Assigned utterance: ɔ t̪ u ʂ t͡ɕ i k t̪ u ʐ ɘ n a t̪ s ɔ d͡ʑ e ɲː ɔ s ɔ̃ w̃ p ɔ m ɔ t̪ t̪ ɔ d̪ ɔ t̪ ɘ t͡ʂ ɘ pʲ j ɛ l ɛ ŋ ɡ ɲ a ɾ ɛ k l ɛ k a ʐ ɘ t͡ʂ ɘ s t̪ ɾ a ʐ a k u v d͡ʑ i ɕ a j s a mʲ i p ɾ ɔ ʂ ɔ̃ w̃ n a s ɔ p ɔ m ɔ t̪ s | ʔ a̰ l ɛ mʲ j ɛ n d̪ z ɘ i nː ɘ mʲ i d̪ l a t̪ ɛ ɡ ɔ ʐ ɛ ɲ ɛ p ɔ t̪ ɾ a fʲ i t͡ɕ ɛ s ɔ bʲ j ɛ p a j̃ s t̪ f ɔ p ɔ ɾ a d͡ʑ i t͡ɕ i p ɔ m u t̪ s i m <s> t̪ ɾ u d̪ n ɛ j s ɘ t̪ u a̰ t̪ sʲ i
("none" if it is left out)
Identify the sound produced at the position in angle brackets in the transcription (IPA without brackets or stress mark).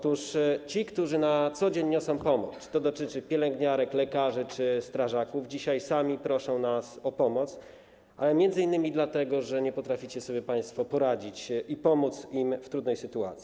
f